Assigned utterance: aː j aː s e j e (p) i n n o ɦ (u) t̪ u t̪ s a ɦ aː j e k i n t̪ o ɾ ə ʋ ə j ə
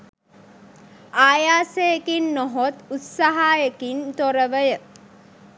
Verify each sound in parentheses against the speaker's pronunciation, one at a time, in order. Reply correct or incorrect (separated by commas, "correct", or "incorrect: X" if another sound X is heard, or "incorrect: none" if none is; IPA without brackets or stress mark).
incorrect: k, incorrect: o